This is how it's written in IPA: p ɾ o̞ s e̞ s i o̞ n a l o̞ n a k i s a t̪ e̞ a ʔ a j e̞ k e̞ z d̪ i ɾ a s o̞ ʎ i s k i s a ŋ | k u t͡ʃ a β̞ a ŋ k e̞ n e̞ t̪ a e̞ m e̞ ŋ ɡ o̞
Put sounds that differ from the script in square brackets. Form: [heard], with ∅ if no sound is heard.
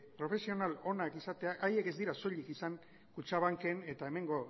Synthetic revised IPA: p ɾ o̞ [f] e̞ s i o̞ n a l o̞ n a k i s a t̪ e̞ a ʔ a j e̞ k e̞ z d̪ i ɾ a s o̞ ʎ i [∅] k i s a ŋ | k u t͡ʃ a β̞ a ŋ k e̞ n e̞ t̪ a e̞ m e̞ ŋ ɡ o̞